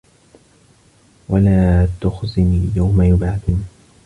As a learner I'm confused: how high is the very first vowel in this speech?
low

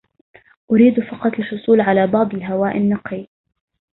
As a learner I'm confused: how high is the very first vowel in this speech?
high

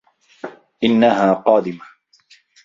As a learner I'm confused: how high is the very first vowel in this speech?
high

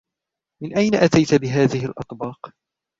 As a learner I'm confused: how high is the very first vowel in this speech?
high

